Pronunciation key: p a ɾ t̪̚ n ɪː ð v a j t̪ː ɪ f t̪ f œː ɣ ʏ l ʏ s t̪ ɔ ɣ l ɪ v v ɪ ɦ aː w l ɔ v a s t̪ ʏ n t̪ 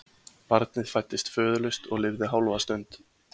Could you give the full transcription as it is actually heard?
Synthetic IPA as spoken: p a ɾ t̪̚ n ɪ ð f a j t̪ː ɪ s t̪ f œː ð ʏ l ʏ s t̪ ɔ ɣ l ɪ v ð ɪ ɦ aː w l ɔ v a s t̪ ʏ n t̪